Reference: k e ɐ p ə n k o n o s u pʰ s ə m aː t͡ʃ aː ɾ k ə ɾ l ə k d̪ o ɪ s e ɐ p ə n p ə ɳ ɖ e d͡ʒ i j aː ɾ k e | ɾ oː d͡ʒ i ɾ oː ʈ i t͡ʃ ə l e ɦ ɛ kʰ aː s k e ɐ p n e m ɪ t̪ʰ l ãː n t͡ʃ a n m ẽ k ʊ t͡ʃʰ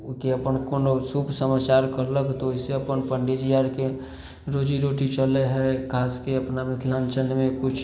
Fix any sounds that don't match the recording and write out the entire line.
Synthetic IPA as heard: k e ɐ p ə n k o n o s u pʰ s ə m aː t͡ʃ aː ɾ k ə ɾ l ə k t̪ o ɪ s e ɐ p ə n p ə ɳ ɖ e d͡ʒ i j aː ɾ k e | ɾ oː d͡ʒ i ɾ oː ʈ i t͡ʃ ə l e ɦ ɛ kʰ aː s k e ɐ p n a m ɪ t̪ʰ l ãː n t͡ʃ ə n m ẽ k ʊ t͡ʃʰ